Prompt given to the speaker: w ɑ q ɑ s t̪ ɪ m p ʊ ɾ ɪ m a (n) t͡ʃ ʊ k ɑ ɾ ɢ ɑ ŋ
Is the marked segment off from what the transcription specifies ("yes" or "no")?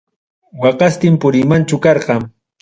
no